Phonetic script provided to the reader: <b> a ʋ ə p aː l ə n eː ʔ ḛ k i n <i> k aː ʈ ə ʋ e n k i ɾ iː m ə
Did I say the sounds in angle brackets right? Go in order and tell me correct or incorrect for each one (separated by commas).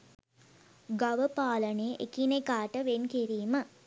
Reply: incorrect, incorrect